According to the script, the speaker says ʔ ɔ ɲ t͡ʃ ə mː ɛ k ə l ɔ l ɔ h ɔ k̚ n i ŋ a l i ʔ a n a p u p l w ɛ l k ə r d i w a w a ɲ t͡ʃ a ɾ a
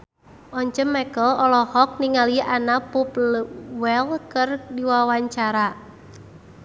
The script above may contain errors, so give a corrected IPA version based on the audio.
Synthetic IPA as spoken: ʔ ɔ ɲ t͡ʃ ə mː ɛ k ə l ɔ l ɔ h ɔ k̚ n i ŋ a l i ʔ a n a p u p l w ɛ l k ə r d i w a w a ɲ t͡ʃ a ɾ a